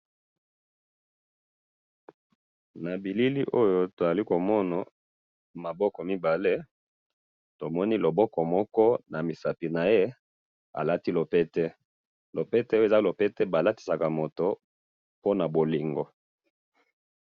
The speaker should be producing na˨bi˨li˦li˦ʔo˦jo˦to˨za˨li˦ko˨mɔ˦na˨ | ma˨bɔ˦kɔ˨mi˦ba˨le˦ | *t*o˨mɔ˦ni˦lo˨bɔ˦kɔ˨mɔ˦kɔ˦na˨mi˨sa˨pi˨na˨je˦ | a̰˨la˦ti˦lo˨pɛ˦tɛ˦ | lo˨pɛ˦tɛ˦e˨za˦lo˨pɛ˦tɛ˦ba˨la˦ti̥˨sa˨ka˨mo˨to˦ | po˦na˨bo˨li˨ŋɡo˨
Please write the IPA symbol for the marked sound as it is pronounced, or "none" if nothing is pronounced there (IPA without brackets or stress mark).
t